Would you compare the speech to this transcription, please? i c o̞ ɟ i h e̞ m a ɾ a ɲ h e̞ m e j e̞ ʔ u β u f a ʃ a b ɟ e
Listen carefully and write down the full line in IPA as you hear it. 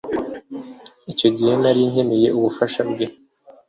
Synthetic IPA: i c o̞ ɟ i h e̞ n a ɾ i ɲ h e̞ m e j e̞ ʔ u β u f a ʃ a b ɡ e